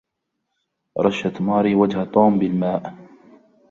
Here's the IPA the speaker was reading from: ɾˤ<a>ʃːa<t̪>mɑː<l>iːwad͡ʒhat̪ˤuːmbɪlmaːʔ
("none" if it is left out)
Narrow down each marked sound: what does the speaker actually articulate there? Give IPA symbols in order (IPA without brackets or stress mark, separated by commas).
ɑ, t̪, ɾ